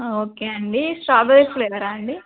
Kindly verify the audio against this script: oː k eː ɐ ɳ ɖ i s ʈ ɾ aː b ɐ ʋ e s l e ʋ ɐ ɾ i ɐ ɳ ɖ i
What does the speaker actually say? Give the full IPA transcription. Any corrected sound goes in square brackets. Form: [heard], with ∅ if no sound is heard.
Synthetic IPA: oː k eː ɐ ɳ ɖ i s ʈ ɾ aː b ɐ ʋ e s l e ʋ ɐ ɾ [a] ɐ ɳ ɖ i